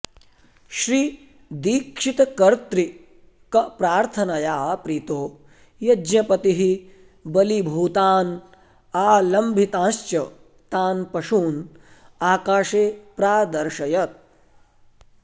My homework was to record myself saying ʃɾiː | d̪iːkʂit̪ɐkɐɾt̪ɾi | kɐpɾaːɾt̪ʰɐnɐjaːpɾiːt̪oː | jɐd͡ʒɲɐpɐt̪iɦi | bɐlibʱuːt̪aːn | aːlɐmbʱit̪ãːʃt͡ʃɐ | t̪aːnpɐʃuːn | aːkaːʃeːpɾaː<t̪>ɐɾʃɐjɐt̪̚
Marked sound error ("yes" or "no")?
yes